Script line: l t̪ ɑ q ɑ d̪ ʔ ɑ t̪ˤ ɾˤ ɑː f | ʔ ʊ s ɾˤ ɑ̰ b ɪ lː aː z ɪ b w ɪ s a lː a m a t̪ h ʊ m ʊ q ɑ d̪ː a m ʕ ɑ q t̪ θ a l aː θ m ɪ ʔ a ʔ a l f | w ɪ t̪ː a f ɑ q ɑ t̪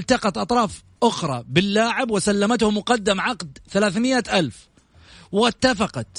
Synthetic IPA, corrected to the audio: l t̪ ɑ q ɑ t̪ ʔ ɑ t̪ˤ ɾˤ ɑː f | ʔ ʊ x ɾˤ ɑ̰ b ɪ lː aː ʕ ɪ b w ɪ s a lː a m a t̪ h ʊ m ʊ q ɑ d̪ː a m ʕ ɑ q d̪ θ a l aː θ m ɪ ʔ a ʔ a l f | w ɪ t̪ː a f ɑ q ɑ t̪